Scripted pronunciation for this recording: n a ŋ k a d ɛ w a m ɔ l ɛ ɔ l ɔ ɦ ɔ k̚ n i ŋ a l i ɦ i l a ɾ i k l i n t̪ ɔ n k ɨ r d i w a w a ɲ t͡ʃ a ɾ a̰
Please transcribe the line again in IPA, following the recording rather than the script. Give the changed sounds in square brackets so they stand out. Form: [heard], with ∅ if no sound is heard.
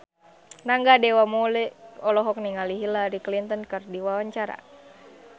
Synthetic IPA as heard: n a ŋ [ɡ] a d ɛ w a m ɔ l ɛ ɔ l ɔ ɦ ɔ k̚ n i ŋ a l i ɦ i l a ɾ i k l i n t̪ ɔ n k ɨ r d i w a w a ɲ t͡ʃ a ɾ a̰